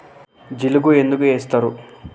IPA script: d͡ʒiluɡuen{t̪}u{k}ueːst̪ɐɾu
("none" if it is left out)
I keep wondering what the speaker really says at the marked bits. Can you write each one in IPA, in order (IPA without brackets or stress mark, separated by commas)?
d̪, ɡ